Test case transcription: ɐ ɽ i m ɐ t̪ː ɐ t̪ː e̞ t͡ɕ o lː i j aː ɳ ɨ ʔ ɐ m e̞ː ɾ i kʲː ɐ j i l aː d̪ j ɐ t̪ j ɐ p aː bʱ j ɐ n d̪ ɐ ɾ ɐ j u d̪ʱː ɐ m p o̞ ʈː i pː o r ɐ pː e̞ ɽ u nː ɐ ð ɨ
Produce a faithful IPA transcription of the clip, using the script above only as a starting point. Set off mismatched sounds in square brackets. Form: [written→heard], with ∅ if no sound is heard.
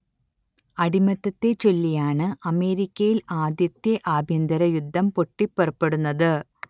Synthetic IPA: ɐ ɽ i m ɐ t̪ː ɐ t̪ː e̞ t͡ɕ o lː i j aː ɳ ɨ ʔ ɐ m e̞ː ɾ i kʲː ɐ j i l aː d̪ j ɐ t̪ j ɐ [p→ʔ] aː bʱ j ɐ n d̪ ɐ ɾ ɐ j u d̪ʱː ɐ m p o̞ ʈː i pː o r ɐ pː e̞ ɽ u nː ɐ ð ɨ